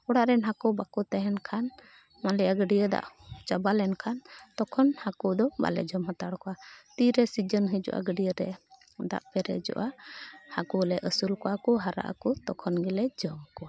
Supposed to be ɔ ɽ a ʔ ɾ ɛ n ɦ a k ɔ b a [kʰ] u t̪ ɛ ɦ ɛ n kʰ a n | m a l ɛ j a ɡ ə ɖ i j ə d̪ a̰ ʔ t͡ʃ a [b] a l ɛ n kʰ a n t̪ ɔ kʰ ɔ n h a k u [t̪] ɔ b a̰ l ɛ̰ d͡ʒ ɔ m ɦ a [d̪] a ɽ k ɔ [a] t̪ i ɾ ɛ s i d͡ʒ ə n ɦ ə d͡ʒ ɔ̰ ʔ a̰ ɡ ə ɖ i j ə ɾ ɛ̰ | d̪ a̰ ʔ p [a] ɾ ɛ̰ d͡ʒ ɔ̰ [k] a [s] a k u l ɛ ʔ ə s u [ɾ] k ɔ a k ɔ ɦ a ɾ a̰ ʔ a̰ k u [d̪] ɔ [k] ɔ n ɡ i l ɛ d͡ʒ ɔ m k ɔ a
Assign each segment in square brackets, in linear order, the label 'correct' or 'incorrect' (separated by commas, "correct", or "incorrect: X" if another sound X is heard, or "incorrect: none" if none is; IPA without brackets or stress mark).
incorrect: k, correct, incorrect: d̪, incorrect: t̪, correct, incorrect: ɛ, incorrect: ʔ, incorrect: h, incorrect: l, incorrect: t̪, incorrect: kʰ